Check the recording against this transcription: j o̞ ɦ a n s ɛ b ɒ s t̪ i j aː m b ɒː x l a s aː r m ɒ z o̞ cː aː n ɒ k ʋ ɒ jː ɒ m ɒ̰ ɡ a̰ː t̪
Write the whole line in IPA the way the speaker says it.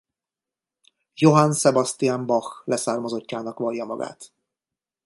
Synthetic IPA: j o̞ ɦ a n s ɛ b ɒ s t̪ i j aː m b ɒ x l ɛ s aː r m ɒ z o̞ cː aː n ɒ k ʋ ɒ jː ɒ m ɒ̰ ɡ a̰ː t̪